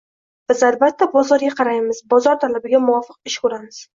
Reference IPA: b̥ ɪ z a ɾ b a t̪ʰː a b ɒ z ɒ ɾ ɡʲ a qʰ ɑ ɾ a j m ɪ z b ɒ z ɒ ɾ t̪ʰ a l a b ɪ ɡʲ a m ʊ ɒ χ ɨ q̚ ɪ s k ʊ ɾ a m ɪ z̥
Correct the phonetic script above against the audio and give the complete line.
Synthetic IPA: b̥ ɪ z a l b a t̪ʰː a b ɒ z ɒ ɾ ɡʲ a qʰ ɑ ɾ a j m ɪ z b ɒ z ɒ ɾ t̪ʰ a l a b ɪ ɡʲ a m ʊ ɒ f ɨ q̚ ɪ ʃ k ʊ ɾ a m ɪ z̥